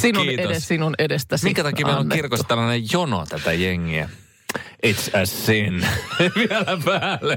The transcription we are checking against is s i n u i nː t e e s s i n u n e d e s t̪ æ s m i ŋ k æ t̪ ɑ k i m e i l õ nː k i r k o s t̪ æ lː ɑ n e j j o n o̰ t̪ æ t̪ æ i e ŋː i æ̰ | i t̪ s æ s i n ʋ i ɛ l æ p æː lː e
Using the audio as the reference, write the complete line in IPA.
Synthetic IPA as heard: s i n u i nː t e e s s i n u n e d e s t̪ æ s m i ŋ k æ t̪ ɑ k i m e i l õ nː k i r k o s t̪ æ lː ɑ n e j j o n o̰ t̪ æ t̪ æ j e ŋː i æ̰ | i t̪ s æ s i n ʋ i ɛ l æ p æː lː e